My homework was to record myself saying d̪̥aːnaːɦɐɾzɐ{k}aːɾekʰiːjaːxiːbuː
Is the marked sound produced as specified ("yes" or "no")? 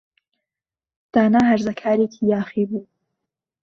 no